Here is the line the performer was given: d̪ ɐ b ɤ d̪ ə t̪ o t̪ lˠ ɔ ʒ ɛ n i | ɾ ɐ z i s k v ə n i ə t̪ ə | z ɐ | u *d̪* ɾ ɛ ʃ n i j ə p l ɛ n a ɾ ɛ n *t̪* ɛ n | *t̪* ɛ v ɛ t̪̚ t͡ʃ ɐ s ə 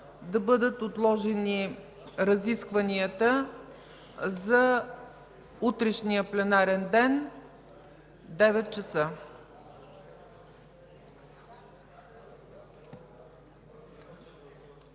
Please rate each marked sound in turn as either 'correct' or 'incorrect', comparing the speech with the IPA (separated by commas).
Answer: incorrect, incorrect, incorrect